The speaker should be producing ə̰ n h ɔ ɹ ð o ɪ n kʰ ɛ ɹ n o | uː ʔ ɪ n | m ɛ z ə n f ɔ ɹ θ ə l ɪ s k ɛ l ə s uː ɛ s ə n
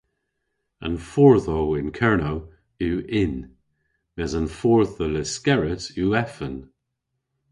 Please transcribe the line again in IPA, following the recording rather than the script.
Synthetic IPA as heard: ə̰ n f ɔ ɹ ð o ɪ n kʰ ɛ ɹ n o | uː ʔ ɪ n | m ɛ z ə n f ɔ ɹ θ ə l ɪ s k ɛ ɹ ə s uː ɛ f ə n